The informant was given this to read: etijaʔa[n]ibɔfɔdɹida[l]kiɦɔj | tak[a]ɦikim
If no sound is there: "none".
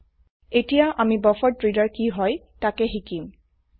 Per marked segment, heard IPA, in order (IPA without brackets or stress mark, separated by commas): m, ɹ, ɛ